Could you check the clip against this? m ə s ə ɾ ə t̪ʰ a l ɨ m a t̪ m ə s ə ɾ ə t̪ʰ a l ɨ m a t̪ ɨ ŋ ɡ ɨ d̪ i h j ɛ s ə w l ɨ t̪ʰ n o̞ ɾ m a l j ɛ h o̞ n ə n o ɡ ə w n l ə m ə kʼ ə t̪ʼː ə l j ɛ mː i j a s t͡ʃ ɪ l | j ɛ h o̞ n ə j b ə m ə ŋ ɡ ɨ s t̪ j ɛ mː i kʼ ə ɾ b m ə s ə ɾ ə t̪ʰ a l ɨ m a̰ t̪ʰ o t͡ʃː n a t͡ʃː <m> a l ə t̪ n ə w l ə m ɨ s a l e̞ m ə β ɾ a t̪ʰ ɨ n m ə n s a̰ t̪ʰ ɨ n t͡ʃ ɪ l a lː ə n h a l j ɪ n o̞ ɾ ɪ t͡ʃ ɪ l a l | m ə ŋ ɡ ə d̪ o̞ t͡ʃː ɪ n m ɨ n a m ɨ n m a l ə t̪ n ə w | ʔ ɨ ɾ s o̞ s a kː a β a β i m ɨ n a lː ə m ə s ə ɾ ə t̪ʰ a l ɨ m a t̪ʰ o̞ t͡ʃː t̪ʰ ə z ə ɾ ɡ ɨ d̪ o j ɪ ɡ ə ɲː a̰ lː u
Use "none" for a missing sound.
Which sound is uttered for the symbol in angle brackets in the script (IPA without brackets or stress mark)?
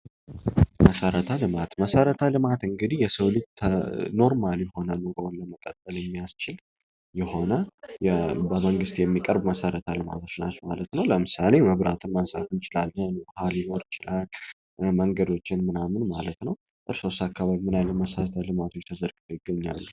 m